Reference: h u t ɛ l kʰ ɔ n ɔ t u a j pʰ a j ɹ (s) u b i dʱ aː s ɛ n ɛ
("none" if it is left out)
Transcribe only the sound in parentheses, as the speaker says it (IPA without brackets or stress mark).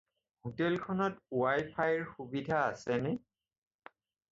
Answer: x